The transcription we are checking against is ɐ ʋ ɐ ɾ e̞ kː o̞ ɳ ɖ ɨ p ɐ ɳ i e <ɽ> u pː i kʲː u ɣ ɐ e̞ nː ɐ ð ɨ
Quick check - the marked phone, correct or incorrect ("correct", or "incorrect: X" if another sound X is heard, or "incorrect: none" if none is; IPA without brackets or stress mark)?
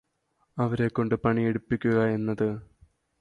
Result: correct